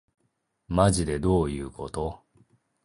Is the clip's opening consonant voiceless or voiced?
voiced